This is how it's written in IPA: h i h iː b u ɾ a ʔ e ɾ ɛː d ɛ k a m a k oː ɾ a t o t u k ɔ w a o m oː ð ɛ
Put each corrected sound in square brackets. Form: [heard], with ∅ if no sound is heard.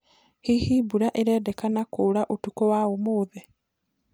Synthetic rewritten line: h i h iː b u ɾ a ʔ e ɾ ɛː d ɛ k a [n] a k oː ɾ a [ʔ] o t u k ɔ w a o m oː ð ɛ